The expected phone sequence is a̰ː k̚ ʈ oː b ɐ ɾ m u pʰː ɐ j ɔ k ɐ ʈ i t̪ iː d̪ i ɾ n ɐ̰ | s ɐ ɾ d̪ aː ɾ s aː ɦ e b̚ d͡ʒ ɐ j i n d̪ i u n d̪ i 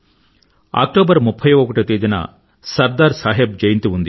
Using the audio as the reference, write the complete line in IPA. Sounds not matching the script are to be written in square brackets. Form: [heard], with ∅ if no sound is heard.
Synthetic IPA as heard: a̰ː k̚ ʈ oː b ɐ ɾ m u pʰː ɐ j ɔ k ɐ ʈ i t̪ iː d̪ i [∅] n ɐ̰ | s ɐ ɾ d̪ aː ɾ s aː ɦ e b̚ d͡ʒ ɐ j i n [t̪] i u n d̪ i